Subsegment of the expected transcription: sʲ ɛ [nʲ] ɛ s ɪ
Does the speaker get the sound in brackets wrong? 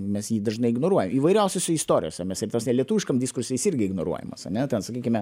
yes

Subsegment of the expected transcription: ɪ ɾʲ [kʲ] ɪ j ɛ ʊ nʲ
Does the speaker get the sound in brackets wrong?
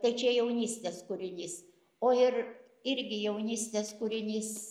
yes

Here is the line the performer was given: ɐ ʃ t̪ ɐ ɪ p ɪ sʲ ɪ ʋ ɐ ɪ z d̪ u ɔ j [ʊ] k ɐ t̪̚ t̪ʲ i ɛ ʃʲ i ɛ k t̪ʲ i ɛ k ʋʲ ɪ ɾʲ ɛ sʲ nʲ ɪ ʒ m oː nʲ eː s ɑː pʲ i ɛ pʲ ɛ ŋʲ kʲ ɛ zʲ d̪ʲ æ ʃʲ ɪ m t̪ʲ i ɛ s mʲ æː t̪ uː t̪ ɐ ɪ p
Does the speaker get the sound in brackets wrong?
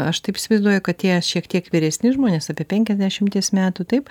no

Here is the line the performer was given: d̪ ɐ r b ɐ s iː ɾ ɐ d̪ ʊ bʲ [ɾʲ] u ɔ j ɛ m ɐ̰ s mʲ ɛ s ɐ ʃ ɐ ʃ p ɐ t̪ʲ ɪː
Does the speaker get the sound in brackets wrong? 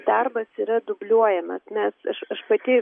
yes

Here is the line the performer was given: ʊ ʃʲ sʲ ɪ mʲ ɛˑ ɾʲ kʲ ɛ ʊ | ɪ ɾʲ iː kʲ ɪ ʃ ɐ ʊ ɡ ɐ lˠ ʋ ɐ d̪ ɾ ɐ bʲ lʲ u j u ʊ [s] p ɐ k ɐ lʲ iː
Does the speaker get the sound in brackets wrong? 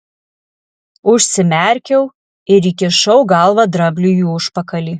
yes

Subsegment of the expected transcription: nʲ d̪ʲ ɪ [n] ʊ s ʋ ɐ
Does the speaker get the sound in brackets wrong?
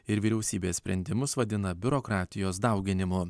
yes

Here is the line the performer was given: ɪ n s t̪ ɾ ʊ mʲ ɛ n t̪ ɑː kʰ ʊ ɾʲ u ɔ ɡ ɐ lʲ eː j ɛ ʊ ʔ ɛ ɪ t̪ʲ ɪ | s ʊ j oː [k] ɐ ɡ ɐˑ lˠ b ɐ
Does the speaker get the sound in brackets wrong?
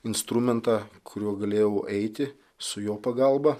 yes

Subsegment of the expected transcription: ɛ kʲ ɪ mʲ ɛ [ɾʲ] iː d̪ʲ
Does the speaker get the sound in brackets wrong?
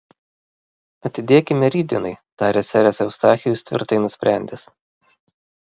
no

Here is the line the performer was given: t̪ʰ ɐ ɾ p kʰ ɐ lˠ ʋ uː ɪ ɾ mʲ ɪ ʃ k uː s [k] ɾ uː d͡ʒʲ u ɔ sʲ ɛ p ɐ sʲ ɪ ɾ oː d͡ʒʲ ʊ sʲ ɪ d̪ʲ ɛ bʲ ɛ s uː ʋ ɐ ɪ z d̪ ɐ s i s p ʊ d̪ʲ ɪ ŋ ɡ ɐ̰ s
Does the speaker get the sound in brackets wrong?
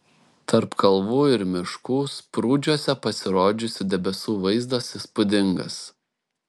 yes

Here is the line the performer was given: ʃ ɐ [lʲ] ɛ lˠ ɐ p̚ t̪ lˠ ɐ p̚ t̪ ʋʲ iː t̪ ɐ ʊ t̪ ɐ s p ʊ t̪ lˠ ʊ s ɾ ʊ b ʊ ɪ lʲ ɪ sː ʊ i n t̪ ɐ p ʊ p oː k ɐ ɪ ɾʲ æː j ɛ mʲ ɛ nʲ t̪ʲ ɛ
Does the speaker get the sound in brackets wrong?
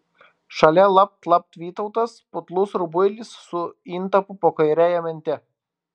no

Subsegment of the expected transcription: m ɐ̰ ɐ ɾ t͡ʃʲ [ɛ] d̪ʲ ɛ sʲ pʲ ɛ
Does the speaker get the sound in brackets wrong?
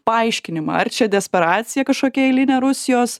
no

